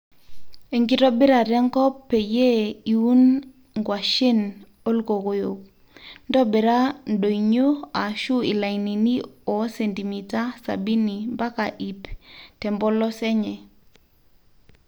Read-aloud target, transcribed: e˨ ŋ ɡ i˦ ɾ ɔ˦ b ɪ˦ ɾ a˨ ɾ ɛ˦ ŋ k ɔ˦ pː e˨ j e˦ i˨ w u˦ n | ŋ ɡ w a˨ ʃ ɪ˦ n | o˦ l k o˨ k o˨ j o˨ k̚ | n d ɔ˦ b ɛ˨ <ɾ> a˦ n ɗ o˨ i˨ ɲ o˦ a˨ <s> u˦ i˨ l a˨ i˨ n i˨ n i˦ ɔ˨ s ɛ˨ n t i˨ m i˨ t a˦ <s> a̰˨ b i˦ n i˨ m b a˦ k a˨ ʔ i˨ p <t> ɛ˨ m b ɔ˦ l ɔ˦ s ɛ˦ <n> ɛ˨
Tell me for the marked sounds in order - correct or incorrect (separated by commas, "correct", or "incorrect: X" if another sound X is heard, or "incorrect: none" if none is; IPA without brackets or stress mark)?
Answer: correct, incorrect: ʃ, correct, correct, incorrect: ɲ